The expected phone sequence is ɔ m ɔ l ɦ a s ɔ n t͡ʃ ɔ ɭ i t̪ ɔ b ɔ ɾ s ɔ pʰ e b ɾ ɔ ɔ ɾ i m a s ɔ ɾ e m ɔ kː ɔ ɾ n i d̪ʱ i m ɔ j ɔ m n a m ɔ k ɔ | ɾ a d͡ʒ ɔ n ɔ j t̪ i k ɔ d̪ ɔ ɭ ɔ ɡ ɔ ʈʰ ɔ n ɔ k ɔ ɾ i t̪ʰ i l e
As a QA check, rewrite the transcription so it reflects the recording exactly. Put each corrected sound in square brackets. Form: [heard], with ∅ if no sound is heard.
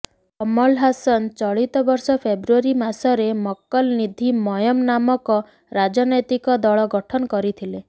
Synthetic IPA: ɔ m ɔ l ɦ a s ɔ n t͡ʃ ɔ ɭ i t̪ ɔ b ɔ ɾ s ɔ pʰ e b ɾ [u] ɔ ɾ i m a s ɔ ɾ e m ɔ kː ɔ [l] n i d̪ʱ i m ɔ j ɔ m n a m ɔ k ɔ | ɾ a d͡ʒ ɔ n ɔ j t̪ i k ɔ d̪ ɔ ɭ ɔ ɡ ɔ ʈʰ ɔ n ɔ k ɔ ɾ i t̪ʰ i l e